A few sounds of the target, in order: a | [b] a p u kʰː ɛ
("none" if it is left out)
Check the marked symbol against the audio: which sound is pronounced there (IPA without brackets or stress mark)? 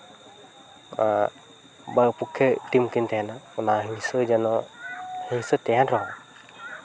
b